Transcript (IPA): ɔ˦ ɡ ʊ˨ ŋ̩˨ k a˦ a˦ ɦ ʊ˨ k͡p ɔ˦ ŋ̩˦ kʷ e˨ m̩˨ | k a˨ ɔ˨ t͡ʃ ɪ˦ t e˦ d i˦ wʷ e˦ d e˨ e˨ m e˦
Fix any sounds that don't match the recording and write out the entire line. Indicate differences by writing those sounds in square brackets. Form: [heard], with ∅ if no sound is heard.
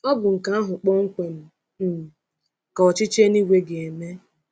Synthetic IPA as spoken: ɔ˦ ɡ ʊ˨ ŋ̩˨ k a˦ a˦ ɦ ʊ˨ k͡p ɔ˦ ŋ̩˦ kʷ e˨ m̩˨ | k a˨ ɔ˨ t͡ʃ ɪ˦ [t͡ʃ] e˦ [n] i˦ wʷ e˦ [ɡ] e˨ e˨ m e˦